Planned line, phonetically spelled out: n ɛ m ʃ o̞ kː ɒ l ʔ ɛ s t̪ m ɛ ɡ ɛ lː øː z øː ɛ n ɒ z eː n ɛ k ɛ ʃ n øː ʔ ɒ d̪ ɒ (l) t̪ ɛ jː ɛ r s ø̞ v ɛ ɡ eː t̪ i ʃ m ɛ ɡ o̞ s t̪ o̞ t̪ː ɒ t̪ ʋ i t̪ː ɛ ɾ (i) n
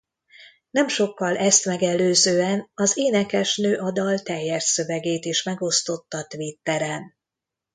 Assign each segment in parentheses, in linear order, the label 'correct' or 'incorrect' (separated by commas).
correct, incorrect